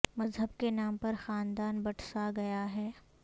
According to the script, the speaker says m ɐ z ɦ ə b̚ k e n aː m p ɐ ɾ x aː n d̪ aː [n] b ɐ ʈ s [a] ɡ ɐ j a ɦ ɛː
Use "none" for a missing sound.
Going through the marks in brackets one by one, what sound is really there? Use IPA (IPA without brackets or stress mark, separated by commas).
n, a